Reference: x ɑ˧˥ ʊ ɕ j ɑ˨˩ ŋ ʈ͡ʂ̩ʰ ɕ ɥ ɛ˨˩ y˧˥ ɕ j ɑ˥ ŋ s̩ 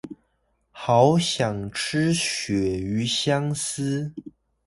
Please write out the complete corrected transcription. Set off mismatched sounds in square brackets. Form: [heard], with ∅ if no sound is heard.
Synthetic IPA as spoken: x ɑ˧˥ ʊ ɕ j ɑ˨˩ ŋ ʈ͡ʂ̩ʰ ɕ ɥ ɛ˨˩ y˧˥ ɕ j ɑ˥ ŋ s̩